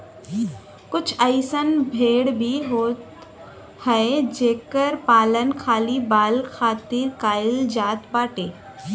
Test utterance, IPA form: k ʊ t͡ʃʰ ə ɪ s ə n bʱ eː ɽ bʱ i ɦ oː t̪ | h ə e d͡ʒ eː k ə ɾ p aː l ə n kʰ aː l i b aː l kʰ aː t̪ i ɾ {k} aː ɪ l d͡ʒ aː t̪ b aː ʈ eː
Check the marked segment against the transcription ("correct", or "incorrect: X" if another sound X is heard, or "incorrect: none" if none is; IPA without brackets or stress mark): correct